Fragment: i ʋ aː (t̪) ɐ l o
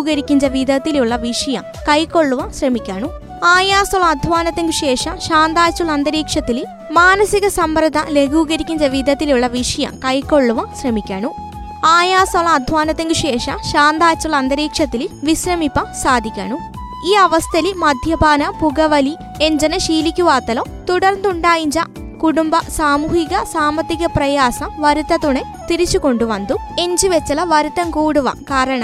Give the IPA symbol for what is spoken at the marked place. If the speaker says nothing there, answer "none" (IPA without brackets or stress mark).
t̪